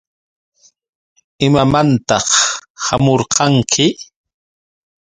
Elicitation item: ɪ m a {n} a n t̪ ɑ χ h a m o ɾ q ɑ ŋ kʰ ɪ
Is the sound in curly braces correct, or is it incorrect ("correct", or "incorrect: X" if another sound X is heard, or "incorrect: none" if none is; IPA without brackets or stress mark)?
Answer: incorrect: m